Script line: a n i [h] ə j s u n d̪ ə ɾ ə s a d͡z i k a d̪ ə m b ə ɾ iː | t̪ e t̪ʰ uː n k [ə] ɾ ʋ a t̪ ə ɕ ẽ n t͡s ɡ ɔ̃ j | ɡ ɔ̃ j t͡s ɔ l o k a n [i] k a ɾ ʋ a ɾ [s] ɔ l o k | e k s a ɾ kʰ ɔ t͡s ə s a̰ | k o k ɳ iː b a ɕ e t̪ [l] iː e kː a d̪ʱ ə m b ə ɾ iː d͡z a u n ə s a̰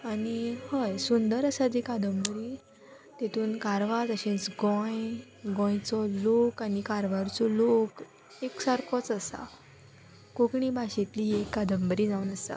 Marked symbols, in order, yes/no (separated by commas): yes, no, yes, no, yes